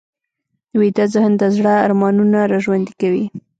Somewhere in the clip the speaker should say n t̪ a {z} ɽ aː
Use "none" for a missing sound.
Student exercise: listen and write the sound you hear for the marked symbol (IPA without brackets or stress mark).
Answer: z